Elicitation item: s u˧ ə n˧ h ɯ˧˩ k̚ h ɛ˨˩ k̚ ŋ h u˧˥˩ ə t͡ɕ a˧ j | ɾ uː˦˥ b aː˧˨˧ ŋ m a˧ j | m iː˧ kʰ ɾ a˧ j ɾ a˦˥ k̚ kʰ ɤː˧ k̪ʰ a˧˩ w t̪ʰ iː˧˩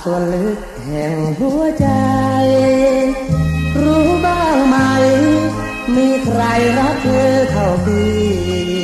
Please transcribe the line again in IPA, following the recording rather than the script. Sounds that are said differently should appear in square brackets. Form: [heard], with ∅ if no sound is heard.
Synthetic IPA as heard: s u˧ ə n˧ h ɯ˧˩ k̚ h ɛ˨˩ [∅] ŋ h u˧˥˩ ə t͡ɕ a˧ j | ɾ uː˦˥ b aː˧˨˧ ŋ m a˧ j | m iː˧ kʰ ɾ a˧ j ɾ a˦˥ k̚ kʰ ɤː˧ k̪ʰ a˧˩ w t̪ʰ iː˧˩